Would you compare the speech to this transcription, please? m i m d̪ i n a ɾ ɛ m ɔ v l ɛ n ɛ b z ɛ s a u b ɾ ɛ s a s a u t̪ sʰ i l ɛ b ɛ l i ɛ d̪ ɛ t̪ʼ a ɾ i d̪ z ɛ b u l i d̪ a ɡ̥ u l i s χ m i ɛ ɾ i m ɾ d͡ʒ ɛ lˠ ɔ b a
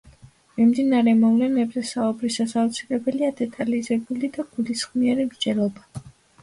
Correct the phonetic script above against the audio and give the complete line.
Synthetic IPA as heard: m i m d̪ i n a ɾ ɛ m ɔ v l ɛ n ɛ b z ɛ s a u b ɾ i s a s a u t̪ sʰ i l ɛ b ɛ l i a d̪ ɛ t̪ʼ a l i z ɛ b u l i d̪ a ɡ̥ u l i s χ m i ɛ ɾ i m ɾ d͡ʒ ɛ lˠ ɔ b a